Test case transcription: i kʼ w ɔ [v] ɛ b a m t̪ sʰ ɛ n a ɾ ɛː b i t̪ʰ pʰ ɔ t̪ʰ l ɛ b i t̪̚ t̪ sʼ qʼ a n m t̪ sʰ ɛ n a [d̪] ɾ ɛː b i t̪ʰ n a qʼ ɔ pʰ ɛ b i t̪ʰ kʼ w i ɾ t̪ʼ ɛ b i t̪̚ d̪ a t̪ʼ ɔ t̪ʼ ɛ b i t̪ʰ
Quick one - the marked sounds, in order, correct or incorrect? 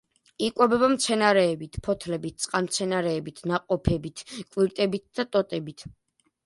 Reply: incorrect: b, incorrect: none

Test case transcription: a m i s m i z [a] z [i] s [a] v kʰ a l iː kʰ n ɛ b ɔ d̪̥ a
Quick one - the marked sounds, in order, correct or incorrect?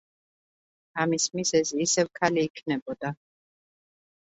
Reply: incorrect: ɛ, incorrect: iː, incorrect: ɛ

